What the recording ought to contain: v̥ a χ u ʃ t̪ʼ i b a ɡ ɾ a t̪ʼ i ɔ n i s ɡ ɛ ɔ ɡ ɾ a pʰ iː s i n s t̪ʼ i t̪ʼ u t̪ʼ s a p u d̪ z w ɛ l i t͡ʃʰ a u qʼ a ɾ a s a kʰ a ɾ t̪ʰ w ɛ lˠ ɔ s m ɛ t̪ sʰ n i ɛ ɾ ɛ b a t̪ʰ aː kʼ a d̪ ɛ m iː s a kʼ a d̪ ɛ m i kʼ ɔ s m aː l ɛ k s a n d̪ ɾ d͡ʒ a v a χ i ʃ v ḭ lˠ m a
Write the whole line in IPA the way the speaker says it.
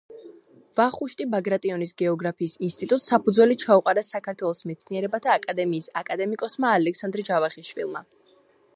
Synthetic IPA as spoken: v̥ a χ u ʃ t̪ʼ i b a ɡ ɾ a t̪ʼ i ɔ n i s ɡ ɛ ɔ ɡ ɾ a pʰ iː s i n s t̪ʼ i t̪ʼ u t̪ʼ s a p u d̪ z w ɛ l i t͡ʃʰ a u qʼ a ɾ a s a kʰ a ɾ t̪ʰ w ɛ lˠ ɔ s m ɛ t̪ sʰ n i ɛ ɾ ɛ b a t̪ʰ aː kʼ a d̪ ɛ m iː s a kʼ a d̪ ɛ m i kʼ ɔ s m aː l ɛ k s a n d̪ ɾ d͡ʒ a v a χ i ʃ v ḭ lˠ m a